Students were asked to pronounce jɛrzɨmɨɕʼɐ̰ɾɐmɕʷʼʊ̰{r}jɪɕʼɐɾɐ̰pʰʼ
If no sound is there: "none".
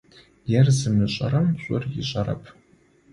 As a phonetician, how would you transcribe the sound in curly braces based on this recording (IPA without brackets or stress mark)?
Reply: r